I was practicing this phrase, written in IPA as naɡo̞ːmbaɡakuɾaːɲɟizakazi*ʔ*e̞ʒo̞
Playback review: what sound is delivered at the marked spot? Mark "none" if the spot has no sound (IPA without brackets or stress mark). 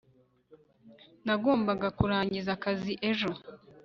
ʔ